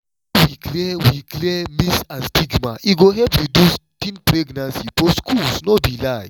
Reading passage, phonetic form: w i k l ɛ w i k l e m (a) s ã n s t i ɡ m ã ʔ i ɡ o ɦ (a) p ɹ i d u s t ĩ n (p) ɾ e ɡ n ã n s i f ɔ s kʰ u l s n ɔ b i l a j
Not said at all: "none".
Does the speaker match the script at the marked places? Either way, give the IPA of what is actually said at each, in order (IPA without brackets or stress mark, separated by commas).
i, ɛ, p